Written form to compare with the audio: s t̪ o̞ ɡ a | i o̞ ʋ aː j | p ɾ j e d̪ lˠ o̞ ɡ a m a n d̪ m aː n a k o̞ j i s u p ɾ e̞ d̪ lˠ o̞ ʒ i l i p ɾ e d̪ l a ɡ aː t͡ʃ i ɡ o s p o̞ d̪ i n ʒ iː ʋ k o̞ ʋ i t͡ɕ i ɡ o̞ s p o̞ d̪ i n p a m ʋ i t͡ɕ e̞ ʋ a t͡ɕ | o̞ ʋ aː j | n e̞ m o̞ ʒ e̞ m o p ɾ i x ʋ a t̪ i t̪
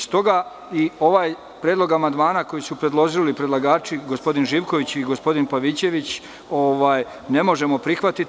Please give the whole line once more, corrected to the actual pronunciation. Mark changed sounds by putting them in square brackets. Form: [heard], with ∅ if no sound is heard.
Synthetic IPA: s t̪ o̞ ɡ a | i o̞ ʋ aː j | p ɾ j e d̪ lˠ o̞ ɡ a m a n d̪ m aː n a k o̞ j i s u p ɾ e̞ d̪ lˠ o̞ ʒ i l i p ɾ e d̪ l a ɡ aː t͡ʃ i ɡ o s p o̞ d̪ i n ʒ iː ʋ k o̞ ʋ i t͡ɕ i ɡ o̞ s p o̞ d̪ i n p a [∅] ʋ i t͡ɕ e̞ ʋ [i] t͡ɕ | o̞ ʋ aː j | n e̞ m o̞ ʒ e̞ m o p ɾ i x ʋ a t̪ i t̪